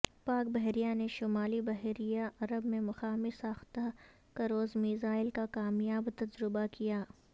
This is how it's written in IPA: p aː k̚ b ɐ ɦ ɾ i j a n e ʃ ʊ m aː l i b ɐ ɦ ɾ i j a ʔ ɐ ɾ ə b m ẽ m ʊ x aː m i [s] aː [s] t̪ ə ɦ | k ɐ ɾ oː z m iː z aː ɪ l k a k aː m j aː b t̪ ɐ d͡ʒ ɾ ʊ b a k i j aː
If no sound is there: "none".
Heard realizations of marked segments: s, x

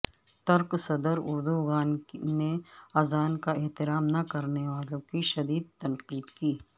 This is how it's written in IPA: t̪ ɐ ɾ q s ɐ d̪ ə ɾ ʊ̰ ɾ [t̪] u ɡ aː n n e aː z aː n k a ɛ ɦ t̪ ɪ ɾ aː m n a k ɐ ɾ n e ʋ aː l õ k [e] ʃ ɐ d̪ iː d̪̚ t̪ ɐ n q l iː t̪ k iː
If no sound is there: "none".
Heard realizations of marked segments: d̪, i

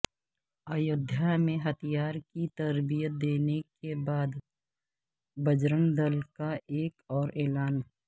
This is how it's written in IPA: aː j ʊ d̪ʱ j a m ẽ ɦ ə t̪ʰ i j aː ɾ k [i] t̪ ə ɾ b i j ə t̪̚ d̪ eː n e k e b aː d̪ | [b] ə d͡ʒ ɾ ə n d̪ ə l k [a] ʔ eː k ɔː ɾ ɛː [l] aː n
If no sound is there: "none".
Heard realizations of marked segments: i, b, a, l

